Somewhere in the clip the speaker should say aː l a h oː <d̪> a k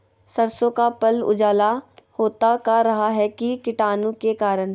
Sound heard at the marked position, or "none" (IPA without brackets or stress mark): t̪